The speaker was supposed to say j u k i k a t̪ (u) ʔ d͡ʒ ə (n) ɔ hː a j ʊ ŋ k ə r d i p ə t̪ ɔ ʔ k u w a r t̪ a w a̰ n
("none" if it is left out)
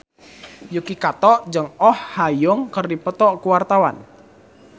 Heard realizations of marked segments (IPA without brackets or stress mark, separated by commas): ɔ, ŋ